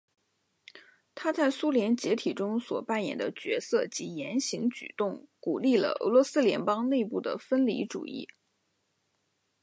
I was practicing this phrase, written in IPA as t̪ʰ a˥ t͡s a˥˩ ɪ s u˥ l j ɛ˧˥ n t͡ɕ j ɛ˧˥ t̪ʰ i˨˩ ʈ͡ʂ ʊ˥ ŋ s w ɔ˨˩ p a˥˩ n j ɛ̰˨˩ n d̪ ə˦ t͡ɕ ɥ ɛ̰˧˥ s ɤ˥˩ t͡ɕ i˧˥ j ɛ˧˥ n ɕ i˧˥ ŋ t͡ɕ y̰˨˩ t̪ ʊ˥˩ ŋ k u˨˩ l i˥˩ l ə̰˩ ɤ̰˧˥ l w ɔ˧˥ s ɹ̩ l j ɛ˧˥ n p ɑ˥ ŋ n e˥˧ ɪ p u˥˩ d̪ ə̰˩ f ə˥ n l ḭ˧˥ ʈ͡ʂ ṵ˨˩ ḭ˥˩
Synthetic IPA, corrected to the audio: t̪ʰ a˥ t͡s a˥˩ ɪ s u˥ l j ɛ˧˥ n t͡ɕ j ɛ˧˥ t̪ʰ i˨˩ ʈ͡ʂ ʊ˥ ŋ s w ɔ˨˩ p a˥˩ n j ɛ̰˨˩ n d̪ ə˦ t͡ɕ ɥ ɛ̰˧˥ s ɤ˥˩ t͡ɕ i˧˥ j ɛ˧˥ n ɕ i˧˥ ŋ t͡ɕ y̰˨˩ t̪ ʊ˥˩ ŋ k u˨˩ l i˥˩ l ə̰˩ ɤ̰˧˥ l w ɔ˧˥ s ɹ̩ l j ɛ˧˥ n p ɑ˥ ŋ n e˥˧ ɪ p u˥˩ d̪ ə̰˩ f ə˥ n l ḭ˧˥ ʈ͡ʂ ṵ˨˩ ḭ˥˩